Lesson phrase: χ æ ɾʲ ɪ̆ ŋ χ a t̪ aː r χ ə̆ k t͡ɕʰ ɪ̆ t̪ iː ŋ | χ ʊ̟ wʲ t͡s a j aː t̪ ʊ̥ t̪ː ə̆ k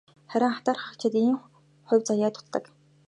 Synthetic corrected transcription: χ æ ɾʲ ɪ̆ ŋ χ a t̪ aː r χ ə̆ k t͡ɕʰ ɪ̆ t̪ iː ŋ | χ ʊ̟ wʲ t͡s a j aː t̪ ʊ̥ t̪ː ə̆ k